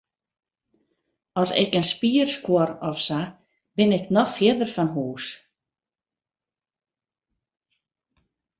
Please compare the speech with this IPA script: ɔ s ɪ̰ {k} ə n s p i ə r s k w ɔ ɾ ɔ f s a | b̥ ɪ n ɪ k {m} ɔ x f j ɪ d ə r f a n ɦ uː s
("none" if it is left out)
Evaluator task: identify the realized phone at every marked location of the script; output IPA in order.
k, n

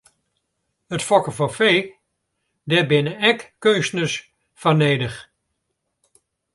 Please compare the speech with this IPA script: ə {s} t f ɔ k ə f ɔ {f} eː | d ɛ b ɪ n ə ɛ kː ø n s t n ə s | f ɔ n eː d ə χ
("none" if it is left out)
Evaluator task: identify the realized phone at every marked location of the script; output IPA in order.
none, f

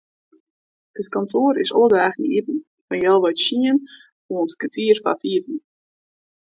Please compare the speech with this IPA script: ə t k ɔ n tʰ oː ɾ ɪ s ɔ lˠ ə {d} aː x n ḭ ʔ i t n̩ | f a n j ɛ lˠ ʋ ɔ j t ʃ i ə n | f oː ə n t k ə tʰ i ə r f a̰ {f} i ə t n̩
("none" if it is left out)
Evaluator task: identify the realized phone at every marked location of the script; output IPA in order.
d, f

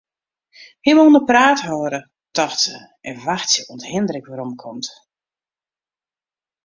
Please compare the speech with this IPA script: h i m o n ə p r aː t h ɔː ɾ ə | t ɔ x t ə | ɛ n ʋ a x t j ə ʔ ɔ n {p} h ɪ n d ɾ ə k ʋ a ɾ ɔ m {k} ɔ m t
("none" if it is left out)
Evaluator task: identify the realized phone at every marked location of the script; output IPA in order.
t, kʰ

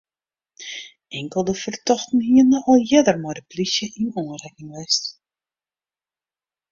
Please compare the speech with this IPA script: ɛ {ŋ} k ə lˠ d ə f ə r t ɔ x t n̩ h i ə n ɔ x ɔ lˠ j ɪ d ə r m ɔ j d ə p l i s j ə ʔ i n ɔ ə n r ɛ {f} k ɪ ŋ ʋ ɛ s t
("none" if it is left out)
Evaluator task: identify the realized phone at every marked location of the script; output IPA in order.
ŋ, none

